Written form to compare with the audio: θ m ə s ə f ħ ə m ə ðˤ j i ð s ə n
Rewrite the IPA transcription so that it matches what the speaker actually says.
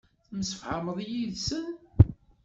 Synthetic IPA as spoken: θ m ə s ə f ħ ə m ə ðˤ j i ð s ə n